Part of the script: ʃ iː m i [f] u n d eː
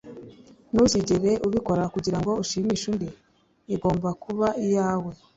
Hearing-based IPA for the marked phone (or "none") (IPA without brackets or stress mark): ʃ